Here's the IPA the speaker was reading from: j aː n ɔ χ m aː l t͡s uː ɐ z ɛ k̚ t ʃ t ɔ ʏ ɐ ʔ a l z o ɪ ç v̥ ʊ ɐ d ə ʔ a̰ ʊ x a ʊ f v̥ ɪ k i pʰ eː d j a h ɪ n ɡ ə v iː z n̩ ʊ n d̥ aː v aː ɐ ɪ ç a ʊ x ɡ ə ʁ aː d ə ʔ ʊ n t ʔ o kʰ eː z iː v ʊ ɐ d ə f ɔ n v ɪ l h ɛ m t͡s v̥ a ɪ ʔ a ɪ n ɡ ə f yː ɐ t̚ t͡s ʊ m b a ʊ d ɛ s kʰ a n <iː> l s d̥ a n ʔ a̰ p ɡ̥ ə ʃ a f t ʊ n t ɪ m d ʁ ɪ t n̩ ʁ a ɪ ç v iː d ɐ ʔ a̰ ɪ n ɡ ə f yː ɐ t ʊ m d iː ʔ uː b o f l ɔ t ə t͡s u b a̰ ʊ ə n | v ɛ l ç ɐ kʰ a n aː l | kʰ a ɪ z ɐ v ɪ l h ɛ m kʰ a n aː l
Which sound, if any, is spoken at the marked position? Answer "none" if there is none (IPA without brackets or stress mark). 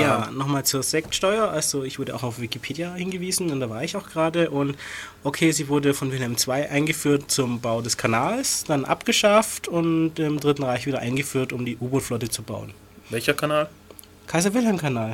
aː